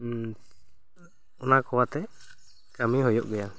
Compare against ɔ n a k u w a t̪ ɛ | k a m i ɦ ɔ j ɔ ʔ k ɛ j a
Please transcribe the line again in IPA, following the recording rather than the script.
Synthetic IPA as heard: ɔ n a k ɔ w a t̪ ɛ | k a m i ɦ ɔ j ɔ ʔ ɡ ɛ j a